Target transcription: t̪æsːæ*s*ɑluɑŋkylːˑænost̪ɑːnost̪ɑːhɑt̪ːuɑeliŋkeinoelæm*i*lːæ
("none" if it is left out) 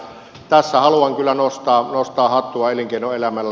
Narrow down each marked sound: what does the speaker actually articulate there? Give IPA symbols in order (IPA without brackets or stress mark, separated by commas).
h, æ